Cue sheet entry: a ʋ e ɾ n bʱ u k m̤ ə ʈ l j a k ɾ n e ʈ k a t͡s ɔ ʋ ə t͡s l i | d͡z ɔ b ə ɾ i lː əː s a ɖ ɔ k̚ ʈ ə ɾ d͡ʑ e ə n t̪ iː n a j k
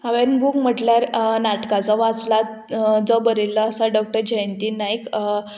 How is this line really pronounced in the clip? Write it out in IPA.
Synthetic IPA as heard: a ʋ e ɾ n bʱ u k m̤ ə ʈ l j a ɾ n a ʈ k a t͡s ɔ ʋ a t͡s l a | d͡z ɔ b ə ɾ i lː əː s a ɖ ɔ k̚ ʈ ə ɾ d͡ʑ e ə n t̪ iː n a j k

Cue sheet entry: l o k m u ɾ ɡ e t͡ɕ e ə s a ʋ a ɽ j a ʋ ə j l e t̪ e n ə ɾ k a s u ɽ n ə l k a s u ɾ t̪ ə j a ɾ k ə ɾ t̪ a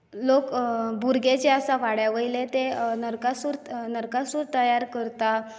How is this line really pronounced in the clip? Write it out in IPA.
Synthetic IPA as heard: l o k b u ɾ ɡ e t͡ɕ e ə s a ʋ a ɽ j a ʋ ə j l e t̪ e n ə ɾ k a s u ɾ n ə ɾ k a s u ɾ t̪ ə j a ɾ k ə ɾ t̪ a

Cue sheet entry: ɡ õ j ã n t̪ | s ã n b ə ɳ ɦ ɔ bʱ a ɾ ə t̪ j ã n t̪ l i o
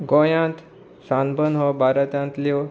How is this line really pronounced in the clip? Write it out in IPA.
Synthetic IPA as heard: ɡ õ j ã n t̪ | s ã n b ə n ɦ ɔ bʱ a ɾ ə t̪ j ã n t̪ l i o

